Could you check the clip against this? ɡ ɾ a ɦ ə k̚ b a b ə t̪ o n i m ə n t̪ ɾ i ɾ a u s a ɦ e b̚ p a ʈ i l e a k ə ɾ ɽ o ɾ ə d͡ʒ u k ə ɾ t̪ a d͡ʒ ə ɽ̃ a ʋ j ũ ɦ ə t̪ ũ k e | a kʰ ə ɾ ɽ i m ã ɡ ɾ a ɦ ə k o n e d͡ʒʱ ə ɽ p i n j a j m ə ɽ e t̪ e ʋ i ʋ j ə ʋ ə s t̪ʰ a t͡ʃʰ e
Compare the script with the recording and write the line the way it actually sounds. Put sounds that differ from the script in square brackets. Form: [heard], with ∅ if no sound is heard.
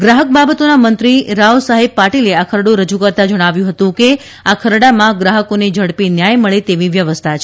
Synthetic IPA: ɡ ɾ a ɦ ə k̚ b a b ə t̪ o n [a] m ə n t̪ ɾ i ɾ a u s a ɦ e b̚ p a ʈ i l e a [kʰ] ə ɾ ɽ o ɾ ə d͡ʒ u k ə ɾ t̪ a d͡ʒ ə ɽ̃ a ʋ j ũ ɦ ə t̪ ũ k e | a kʰ ə ɾ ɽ [a] m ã ɡ ɾ a ɦ ə k o n e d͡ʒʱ ə ɽ p i n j a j m ə [ɭ] e t̪ e ʋ i ʋ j ə ʋ ə s t̪ʰ a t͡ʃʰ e